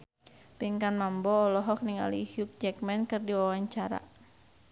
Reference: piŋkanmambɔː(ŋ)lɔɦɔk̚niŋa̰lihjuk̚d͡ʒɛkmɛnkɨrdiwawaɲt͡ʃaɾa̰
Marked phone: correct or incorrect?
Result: incorrect